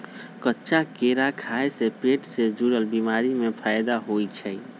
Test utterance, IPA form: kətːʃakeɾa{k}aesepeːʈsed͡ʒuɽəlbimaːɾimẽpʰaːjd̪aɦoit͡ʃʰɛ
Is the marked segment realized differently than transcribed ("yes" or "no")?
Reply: yes